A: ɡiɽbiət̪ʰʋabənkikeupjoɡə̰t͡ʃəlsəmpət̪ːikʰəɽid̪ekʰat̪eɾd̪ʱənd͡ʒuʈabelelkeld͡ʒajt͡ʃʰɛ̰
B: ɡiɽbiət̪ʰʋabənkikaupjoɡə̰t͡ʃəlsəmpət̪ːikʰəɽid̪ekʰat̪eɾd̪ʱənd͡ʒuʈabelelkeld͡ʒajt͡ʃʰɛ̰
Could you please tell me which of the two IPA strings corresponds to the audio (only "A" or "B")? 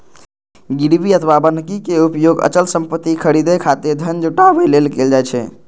A